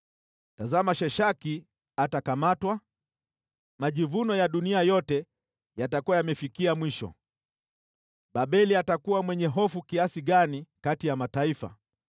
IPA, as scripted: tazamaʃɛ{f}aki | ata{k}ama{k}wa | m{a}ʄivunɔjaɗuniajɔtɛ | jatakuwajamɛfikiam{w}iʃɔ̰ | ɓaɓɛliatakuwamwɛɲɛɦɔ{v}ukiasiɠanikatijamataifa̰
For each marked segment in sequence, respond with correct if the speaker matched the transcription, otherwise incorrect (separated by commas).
incorrect, correct, incorrect, correct, correct, incorrect